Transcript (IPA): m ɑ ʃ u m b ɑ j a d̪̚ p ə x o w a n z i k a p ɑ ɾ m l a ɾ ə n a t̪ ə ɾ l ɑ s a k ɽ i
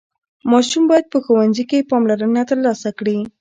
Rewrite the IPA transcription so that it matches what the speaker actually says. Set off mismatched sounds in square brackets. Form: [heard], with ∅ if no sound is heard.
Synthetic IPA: m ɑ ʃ u m b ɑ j a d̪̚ p ə x o w a n z i k [e] p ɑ [∅] m l a ɾ ə n a t̪ ə ɾ l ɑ s a k ɽ i